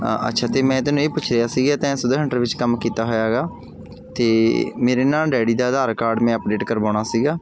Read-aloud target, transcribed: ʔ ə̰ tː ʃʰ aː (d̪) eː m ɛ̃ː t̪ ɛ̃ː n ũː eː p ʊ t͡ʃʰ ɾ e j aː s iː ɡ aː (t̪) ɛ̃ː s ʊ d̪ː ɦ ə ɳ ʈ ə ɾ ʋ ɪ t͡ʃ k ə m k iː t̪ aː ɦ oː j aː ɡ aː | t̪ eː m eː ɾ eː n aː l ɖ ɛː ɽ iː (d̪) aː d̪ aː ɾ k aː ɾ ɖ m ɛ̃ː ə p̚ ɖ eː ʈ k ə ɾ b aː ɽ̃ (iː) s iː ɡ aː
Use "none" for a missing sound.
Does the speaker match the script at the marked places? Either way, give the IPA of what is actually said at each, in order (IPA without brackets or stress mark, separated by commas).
t̪, t̪, d̪, aː